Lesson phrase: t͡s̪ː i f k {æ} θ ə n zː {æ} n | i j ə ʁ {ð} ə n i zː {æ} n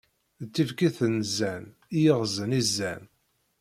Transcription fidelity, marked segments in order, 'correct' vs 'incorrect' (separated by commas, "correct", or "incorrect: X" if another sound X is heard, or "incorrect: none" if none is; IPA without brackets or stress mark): incorrect: i, correct, incorrect: z, correct